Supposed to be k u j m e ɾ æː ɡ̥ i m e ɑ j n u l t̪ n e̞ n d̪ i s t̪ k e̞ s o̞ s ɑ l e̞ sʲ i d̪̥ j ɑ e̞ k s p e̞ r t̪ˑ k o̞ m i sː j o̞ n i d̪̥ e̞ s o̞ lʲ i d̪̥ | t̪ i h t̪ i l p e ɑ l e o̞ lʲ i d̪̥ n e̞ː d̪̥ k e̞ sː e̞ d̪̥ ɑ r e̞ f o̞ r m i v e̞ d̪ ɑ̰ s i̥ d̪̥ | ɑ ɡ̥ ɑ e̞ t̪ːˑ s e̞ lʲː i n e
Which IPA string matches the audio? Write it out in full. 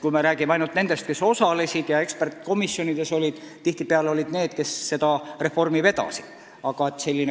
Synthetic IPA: k u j m e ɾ æː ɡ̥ i m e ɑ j n u l t̪ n e̞ n d̪ e s t̪ k e̞ s o̞ s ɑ l e̞ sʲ i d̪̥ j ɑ e̞ k s p e̞ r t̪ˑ k o̞ m i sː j o̞ n i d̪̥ e̞ s o̞ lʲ i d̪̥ | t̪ i h t̪ i p e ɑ l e o̞ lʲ i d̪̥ n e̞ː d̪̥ k e̞ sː e̞ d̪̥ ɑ r e̞ f o̞ r m i v e̞ d̪ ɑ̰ s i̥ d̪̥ | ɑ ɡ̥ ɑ e̞ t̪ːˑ s e̞ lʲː i n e